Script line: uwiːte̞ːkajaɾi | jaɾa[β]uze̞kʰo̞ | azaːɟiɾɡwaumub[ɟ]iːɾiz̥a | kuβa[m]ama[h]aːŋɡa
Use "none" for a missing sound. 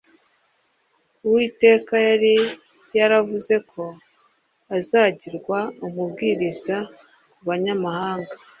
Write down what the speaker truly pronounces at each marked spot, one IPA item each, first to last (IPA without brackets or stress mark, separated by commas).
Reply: v, ɡ, ɲ, h